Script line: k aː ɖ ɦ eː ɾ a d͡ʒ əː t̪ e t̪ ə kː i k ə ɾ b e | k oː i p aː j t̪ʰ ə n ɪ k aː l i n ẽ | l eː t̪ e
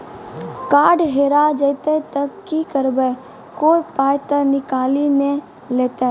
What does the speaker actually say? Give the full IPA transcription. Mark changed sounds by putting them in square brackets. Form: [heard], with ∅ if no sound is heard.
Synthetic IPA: k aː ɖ ɦ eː ɾ a d͡ʒ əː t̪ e t̪ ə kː i k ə ɾ b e | k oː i p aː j [t̪] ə n ɪ k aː l i n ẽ | l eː t̪ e